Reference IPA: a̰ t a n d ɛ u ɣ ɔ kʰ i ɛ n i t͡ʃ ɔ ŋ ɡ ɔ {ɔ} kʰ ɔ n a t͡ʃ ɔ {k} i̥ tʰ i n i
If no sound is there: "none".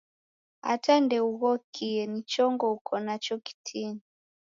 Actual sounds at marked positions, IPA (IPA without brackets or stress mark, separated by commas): u, k